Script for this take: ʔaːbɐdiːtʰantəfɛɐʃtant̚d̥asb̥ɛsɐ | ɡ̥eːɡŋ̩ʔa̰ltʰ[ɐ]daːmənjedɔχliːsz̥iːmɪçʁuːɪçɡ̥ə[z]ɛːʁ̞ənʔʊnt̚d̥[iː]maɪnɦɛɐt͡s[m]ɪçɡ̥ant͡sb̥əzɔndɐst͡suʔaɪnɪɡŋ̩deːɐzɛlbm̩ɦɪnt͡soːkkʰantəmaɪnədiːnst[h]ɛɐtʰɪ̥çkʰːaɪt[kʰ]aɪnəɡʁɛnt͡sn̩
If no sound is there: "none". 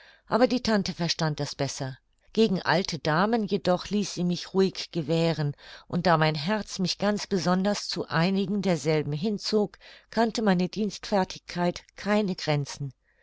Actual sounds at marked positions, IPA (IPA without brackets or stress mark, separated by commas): ə, v, aː, m, f, kʰ